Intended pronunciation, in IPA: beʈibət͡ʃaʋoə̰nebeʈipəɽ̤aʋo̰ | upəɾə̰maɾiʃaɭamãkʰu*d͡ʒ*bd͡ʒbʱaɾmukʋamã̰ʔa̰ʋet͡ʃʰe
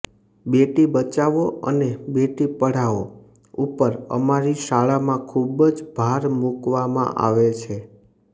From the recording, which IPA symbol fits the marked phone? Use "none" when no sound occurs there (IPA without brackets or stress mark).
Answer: none